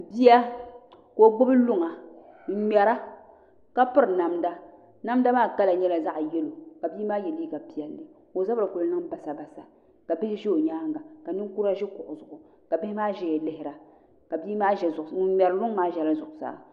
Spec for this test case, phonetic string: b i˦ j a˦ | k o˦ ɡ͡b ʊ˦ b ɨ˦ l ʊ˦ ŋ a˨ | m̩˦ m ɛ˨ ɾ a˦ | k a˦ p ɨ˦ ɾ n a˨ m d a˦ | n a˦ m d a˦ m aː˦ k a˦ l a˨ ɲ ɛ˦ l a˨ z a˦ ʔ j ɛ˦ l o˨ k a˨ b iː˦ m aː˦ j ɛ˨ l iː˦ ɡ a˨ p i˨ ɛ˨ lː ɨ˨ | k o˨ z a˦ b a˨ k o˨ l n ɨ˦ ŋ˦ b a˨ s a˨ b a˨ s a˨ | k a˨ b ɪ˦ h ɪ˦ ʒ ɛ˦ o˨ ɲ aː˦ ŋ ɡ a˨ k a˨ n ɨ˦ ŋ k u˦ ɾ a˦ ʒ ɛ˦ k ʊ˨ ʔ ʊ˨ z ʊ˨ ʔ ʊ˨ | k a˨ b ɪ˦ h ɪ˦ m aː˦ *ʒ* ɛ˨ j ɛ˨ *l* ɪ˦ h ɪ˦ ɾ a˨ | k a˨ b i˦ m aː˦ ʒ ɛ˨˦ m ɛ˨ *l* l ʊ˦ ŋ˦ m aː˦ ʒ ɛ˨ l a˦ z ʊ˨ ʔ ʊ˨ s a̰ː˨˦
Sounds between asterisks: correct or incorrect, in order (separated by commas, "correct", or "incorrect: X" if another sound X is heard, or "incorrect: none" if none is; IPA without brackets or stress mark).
correct, correct, incorrect: ɾ